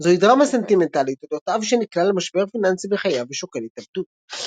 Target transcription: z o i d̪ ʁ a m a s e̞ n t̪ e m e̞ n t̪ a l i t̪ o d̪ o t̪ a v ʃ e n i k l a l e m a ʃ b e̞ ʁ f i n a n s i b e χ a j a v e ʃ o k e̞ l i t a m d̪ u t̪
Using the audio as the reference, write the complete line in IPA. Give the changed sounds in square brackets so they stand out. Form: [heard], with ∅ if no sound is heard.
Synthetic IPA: z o i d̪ ʁ a m a s e̞ n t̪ [i] m e̞ n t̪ a l i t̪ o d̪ o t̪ a v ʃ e n i k l a l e m a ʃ b e̞ ʁ f i n a n s i b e χ a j a v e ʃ o k e̞ l i t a [b] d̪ u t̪